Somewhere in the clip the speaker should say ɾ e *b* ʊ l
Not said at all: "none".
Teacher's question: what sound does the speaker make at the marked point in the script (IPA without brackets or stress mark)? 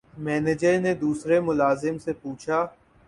m